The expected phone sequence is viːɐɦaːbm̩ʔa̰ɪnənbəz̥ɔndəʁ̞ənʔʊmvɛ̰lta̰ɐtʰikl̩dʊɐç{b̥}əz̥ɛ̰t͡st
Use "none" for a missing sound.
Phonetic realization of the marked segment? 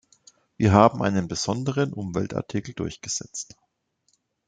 ɡ̥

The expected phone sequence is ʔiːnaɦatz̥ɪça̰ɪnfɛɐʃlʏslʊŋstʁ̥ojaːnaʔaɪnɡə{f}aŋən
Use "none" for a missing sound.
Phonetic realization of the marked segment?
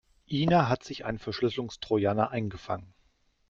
f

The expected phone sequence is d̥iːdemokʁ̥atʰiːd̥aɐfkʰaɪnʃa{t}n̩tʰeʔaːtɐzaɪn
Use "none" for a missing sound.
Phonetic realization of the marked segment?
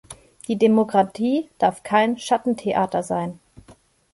t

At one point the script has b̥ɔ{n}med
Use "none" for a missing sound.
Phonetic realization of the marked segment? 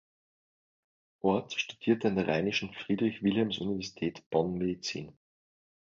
n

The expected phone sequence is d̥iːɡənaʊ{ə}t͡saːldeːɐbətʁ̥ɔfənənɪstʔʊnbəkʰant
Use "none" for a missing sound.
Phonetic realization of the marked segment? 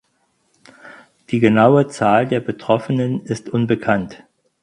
ə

